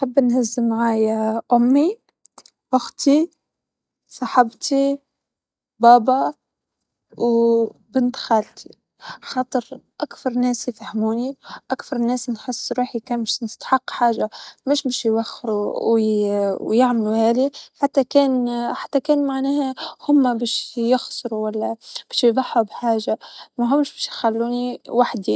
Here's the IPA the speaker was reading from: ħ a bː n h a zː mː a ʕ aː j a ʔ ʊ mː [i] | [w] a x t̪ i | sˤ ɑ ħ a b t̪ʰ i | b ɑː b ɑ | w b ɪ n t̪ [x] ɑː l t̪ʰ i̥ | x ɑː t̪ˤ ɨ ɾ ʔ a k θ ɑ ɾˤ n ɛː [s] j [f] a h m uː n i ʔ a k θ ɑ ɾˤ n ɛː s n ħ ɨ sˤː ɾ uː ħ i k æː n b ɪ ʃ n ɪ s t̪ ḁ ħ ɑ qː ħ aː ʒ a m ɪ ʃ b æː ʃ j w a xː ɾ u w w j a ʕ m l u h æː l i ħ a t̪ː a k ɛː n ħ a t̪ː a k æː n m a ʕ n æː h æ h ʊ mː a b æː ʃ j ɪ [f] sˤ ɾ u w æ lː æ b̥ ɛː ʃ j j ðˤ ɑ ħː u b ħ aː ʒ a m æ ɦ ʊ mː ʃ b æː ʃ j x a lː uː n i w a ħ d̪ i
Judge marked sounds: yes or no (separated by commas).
yes, yes, yes, yes, yes, no